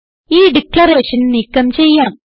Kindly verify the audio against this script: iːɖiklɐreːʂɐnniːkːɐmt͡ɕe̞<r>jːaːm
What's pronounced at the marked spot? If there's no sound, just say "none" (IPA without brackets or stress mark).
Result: none